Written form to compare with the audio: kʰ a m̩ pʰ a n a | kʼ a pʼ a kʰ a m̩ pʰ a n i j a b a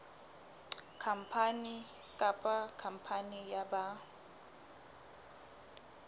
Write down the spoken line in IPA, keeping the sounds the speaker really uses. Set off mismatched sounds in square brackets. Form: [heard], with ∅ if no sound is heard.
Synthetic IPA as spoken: kʰ a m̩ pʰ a n [i] | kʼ a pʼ a kʰ a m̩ pʰ a n i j a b a